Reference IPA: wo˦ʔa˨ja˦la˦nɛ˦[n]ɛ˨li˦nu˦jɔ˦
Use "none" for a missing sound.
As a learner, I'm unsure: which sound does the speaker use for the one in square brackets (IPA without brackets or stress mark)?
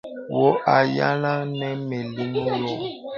m